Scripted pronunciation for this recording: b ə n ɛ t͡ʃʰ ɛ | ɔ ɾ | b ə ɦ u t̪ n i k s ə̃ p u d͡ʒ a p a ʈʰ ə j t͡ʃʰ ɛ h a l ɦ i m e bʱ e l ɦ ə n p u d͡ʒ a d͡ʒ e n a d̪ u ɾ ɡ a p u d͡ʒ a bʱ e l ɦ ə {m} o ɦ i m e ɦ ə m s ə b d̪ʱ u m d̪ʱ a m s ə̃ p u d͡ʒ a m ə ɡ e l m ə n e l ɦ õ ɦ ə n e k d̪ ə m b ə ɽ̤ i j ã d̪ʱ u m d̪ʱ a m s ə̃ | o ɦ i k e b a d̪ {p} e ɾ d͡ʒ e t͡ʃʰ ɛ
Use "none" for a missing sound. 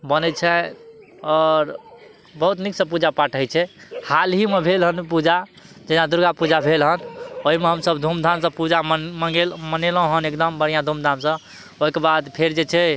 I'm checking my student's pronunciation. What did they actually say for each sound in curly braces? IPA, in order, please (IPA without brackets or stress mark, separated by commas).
n, pʰ